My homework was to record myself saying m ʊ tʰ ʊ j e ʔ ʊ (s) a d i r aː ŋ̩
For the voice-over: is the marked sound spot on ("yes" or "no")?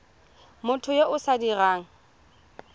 yes